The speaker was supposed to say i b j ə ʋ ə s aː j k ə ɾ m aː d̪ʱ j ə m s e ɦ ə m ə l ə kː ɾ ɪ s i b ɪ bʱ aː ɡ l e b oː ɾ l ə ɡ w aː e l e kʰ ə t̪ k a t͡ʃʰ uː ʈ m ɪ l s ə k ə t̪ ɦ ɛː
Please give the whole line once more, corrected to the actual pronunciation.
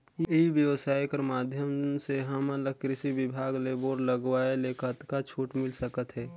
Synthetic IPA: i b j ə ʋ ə s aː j k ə ɾ m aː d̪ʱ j ə m s e ɦ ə m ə l ə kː ɾ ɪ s i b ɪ bʱ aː ɡ l e b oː ɾ l ə ɡ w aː e l e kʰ ə t̪ k a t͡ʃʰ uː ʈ m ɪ l s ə k ə t̪ ɦ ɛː